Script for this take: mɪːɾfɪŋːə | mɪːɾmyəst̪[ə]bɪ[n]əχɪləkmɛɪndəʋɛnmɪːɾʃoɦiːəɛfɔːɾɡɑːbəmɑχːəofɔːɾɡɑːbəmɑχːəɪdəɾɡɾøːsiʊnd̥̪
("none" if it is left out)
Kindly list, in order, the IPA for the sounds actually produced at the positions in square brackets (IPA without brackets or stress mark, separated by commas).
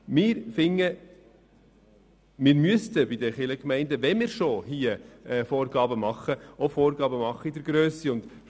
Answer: ə, d